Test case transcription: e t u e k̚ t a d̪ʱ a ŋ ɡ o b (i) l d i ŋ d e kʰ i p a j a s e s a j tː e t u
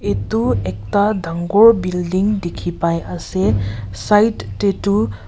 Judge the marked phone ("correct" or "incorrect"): correct